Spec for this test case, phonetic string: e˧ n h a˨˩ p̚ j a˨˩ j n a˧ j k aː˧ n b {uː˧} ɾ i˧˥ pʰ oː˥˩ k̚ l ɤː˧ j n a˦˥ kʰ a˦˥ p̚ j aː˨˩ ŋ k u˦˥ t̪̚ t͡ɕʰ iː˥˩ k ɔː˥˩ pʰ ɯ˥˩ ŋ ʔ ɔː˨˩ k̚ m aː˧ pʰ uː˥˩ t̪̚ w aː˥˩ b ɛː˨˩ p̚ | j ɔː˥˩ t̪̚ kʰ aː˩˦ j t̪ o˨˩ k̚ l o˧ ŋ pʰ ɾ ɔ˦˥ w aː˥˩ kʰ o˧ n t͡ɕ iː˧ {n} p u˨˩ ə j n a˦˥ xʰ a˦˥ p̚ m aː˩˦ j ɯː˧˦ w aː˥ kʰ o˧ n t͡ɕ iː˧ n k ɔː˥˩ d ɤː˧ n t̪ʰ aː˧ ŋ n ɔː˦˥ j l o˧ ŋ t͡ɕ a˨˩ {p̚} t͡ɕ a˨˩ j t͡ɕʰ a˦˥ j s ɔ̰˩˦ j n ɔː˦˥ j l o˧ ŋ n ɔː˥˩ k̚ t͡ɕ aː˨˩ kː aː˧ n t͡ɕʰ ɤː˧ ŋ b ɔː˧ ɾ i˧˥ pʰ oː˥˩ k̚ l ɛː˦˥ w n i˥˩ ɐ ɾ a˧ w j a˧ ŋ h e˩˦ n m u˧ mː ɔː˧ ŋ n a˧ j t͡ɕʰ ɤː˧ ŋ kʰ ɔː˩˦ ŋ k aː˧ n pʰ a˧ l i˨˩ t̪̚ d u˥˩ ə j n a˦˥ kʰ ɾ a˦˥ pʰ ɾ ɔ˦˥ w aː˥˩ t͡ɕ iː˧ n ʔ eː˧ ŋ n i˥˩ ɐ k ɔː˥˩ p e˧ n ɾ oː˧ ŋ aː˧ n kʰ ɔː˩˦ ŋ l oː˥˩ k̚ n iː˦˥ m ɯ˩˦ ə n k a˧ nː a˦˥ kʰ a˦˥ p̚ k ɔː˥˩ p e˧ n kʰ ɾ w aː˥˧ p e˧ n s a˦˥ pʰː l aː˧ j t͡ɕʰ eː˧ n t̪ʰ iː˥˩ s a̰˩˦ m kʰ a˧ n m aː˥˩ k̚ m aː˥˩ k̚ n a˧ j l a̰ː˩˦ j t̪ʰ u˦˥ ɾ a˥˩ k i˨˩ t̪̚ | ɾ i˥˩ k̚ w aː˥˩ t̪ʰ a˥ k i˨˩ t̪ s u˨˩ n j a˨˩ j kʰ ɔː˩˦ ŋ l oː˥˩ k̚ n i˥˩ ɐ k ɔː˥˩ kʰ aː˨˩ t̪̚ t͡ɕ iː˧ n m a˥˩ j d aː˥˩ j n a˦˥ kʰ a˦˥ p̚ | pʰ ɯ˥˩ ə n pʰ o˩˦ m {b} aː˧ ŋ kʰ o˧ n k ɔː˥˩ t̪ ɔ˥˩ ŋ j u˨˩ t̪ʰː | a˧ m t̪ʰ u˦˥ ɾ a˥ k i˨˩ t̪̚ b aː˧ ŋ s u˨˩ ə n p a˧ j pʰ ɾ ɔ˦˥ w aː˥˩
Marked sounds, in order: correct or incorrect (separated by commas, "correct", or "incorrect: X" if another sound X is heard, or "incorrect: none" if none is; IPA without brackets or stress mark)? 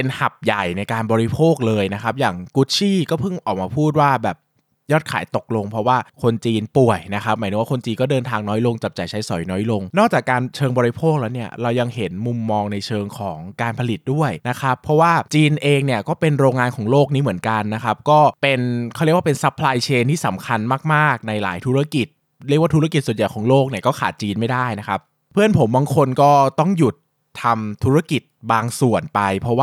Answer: incorrect: ɔː˧, correct, correct, correct